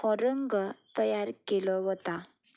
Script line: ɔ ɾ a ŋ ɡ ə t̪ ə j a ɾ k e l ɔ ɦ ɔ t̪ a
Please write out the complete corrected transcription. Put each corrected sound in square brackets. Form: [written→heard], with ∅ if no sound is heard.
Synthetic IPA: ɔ ɾ [a→ə] ŋ ɡ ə t̪ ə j a ɾ k e l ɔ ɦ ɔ t̪ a